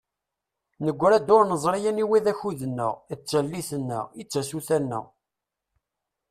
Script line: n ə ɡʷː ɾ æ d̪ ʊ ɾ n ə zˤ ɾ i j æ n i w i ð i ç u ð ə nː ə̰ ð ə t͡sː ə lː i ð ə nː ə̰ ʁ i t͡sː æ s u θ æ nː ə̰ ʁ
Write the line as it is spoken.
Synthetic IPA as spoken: n ə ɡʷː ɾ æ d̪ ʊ ɾ n ə zˤ ɾ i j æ n i w i ð æ ç u ð ə nː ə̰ ʁ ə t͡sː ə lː i θ ə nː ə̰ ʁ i t͡sː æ s u θ æ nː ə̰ ʁ